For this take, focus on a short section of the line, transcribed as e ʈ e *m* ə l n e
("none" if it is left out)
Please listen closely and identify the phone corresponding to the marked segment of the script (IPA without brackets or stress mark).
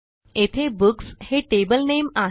b